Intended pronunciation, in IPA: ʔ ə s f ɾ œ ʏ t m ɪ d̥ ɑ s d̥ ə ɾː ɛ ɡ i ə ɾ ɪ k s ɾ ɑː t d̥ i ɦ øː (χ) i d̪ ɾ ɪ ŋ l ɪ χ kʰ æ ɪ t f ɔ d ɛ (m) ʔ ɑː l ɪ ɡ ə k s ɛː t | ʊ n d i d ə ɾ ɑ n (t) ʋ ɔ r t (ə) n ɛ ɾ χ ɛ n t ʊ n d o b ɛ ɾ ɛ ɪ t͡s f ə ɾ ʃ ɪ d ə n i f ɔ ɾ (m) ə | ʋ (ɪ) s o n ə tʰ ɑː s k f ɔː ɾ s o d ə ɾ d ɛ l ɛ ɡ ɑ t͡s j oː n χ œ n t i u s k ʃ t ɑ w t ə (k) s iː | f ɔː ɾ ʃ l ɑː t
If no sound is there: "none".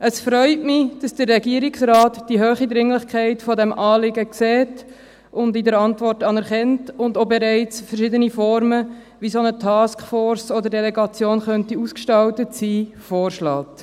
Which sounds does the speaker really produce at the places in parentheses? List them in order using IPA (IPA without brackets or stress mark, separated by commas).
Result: χ, m, t, ɑ, m, i, t